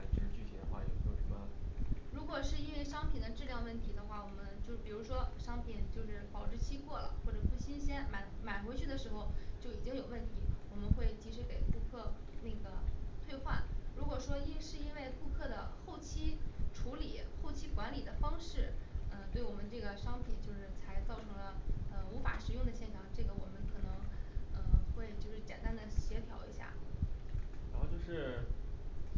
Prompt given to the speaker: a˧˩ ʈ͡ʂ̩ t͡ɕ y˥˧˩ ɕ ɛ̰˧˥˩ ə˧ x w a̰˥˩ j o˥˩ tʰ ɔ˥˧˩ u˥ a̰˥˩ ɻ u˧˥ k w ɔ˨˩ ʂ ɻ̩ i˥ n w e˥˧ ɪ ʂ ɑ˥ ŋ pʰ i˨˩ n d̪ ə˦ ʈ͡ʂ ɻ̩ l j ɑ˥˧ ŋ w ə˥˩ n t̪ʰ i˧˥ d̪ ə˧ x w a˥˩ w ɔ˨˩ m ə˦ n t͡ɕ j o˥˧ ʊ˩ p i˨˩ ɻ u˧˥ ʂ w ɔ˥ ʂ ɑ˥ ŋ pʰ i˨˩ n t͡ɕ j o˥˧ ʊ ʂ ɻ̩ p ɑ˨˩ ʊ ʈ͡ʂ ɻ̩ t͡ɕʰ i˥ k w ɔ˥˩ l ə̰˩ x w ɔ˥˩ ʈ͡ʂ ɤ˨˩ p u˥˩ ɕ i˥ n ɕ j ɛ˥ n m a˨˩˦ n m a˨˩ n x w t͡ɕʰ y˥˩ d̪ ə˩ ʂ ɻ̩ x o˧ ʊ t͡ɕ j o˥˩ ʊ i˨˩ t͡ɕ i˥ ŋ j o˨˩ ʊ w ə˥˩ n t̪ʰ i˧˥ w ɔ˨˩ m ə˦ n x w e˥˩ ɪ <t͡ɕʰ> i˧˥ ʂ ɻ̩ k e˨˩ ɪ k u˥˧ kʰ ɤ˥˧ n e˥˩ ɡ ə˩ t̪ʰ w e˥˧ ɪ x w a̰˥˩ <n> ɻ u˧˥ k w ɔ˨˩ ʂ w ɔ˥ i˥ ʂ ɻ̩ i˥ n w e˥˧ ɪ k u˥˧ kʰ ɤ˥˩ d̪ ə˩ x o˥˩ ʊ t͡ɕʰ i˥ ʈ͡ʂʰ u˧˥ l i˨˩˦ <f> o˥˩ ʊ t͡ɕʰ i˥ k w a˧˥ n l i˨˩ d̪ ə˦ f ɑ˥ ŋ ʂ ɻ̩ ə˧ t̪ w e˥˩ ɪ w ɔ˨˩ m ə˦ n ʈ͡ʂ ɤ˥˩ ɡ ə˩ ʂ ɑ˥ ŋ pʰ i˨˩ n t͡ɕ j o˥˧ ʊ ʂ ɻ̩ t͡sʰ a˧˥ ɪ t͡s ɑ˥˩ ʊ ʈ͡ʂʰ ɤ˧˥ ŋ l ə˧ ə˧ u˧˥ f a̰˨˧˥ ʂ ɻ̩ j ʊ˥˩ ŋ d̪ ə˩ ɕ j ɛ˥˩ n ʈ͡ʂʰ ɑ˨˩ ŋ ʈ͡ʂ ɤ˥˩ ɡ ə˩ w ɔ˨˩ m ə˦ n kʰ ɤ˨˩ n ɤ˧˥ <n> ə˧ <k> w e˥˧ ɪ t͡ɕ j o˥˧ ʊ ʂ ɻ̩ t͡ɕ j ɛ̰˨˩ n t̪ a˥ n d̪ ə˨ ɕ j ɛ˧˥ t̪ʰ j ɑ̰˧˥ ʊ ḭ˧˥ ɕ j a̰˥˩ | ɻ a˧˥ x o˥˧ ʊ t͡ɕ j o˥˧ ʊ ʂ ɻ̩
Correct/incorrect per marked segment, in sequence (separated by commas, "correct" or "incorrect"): incorrect, correct, incorrect, incorrect, incorrect